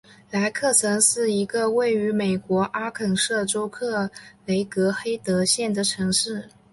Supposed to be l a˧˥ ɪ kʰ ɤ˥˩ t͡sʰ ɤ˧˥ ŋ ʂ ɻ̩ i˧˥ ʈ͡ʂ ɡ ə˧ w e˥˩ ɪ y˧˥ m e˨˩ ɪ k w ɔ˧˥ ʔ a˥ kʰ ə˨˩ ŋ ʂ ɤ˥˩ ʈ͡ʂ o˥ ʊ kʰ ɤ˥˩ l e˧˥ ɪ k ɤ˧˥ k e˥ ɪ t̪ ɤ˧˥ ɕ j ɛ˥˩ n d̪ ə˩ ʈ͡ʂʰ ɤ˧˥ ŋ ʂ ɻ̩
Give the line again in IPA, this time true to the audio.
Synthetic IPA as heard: l a˧˥ ɪ kʰ ɤ˥˩ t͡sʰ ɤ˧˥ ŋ ʂ ɻ̩ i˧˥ ɡ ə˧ w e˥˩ ɪ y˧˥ m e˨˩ ɪ k w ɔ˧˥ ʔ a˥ kʰ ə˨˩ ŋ ʂ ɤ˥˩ ʈ͡ʂ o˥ ʊ kʰ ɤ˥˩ l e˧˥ ɪ k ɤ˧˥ x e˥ ɪ t̪ ɤ˧˥ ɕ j ɛ˥˩ n d̪ ə˩ ʈ͡ʂʰ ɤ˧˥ ŋ ʂ ɻ̩